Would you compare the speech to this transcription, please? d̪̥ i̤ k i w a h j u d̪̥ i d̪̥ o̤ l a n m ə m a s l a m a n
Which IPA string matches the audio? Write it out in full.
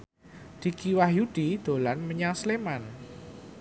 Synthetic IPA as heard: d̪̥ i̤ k i w a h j u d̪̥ i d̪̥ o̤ l a n m ə ɲ a s l e m a n